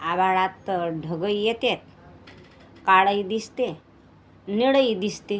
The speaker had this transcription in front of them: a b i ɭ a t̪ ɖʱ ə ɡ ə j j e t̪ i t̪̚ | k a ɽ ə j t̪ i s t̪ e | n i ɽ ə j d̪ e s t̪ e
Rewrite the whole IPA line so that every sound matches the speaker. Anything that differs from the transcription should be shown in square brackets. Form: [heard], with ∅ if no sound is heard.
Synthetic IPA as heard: a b [a] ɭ a t̪ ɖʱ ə ɡ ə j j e t̪ [e] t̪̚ | k a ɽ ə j [d̪] i s t̪ e | n i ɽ ə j d̪ [i] s t̪ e